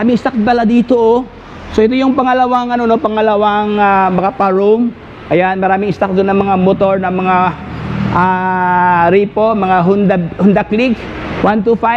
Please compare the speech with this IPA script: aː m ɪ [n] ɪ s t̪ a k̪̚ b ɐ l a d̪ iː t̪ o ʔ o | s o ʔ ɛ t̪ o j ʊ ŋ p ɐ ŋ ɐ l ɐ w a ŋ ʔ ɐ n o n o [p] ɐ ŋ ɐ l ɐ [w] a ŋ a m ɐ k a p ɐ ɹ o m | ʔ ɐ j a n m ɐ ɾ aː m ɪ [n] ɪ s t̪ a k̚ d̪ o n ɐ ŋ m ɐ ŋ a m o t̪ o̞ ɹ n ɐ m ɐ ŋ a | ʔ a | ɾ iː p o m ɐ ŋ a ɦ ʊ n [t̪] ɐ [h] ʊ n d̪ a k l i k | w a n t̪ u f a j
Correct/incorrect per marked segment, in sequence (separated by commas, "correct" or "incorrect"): incorrect, correct, correct, incorrect, incorrect, correct